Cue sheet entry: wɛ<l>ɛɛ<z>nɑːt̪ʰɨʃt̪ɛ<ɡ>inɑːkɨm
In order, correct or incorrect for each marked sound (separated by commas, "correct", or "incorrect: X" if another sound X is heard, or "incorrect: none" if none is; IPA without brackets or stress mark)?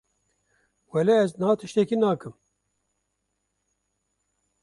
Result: correct, correct, incorrect: k